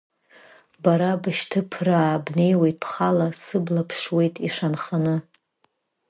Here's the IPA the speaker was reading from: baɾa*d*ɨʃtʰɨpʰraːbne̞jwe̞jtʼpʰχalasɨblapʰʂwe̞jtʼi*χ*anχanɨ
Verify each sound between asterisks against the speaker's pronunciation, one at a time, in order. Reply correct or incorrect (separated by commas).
incorrect, incorrect